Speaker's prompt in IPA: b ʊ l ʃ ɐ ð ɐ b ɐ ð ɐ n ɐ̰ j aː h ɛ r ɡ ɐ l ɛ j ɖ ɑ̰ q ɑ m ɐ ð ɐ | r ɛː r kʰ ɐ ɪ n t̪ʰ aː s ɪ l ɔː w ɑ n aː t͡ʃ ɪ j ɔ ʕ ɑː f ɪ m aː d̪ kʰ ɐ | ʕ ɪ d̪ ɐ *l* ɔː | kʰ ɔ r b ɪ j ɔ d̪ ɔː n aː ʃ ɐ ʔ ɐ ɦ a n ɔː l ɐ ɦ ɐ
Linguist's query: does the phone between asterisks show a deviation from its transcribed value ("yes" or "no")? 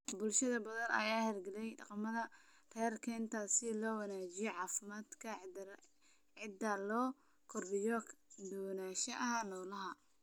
no